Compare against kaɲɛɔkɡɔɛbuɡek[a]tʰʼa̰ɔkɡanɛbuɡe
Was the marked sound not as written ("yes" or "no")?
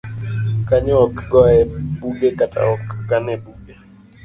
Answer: no